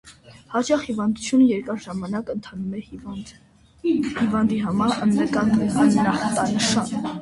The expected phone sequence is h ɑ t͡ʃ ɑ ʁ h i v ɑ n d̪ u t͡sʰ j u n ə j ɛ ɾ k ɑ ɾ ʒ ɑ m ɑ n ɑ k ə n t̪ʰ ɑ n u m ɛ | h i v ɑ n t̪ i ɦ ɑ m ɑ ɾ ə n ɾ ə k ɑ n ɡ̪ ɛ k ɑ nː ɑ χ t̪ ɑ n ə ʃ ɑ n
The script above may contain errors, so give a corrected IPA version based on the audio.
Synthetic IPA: h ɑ t͡ʃ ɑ χ h i v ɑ n d̪ u t͡sʰ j u n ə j ɛ ɾ k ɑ ɾ ʒ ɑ m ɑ n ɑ k ə n t̪ʰ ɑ n u m ɛ | h i v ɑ n d̪ i ɦ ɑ m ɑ ɾ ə n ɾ ə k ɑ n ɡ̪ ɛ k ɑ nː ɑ χ t̪ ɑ n ə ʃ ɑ n